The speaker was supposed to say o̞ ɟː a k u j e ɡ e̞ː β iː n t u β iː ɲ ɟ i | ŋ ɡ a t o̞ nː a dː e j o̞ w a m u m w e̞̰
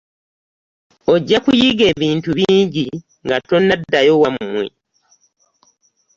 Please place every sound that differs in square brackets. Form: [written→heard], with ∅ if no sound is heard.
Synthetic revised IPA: o̞ ɟː a k u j [e→i] ɡ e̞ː β iː n t u β iː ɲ ɟ i | ŋ ɡ a t o̞ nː a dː [e→a] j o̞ w a m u m w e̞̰

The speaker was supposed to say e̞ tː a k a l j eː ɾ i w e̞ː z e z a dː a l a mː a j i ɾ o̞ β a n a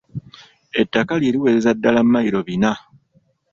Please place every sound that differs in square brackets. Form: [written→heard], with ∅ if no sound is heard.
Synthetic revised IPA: e̞ tː a k a l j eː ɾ i w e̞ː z e z a dː a l a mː a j i ɾ o̞ β [a→i] n a

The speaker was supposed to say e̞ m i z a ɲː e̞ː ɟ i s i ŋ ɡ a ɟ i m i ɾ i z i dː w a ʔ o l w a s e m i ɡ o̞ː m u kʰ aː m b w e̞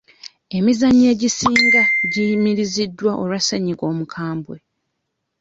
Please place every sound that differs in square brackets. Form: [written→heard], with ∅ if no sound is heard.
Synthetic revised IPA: e̞ m i z a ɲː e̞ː ɟ i s [i→iː] ŋ ɡ a ɟ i m i ɾ i z i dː w a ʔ o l w a s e [m→ɲ] i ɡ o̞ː m u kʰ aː m b w e̞

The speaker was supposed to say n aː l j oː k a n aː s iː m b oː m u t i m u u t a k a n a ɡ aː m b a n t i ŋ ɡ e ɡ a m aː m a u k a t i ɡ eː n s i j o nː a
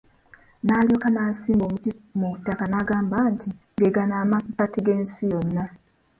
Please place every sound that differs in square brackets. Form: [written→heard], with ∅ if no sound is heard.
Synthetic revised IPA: n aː l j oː k a n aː s iː m b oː m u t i m u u t a k a n a ɡ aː m b a n t i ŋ ɡ e ɡ a [m→n] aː m a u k a t i ɡ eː n s i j o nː a

